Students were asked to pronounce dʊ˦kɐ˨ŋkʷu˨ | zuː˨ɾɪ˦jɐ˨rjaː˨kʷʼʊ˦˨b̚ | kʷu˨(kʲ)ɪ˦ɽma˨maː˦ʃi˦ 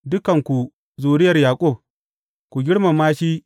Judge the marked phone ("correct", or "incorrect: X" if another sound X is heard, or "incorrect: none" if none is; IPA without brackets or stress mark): incorrect: ɡʲ